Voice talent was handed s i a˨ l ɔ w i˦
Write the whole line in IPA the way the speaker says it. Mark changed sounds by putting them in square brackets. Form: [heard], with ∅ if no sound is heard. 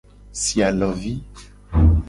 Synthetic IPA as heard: s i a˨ l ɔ [v] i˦